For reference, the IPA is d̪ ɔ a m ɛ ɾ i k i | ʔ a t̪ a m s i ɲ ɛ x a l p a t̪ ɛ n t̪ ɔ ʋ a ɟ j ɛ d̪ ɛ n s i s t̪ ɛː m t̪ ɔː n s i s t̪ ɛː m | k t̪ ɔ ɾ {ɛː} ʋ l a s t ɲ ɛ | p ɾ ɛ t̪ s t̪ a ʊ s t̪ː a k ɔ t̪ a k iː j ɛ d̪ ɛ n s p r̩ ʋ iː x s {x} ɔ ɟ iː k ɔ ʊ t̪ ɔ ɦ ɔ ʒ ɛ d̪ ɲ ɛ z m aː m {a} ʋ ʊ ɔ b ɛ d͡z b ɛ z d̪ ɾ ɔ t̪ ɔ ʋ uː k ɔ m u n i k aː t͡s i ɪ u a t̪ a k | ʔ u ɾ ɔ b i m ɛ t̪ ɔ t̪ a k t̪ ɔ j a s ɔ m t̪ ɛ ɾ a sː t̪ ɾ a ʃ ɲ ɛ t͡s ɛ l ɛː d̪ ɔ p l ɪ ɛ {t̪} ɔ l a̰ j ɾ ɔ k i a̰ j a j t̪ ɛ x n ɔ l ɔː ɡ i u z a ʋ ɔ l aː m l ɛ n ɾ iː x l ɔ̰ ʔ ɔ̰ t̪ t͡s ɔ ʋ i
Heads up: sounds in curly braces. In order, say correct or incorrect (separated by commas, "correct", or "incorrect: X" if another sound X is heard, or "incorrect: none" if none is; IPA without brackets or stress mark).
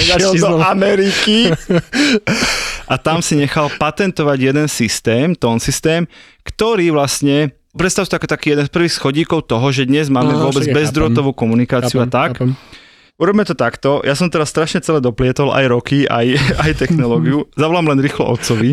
incorrect: iː, correct, incorrect: ɛ, correct